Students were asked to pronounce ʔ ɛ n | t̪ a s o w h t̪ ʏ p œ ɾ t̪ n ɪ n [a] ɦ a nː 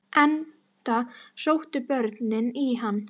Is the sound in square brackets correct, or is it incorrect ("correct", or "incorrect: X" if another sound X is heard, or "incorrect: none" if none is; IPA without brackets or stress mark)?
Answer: incorrect: i